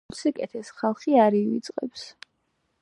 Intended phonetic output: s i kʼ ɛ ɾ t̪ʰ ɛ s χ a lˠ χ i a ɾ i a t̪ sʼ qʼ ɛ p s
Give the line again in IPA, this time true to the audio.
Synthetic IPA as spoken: s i kʼ ɛ t̪ʰ ɛ s χ a lˠ χ i a ɾ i i t̪ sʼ qʼ ɛ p s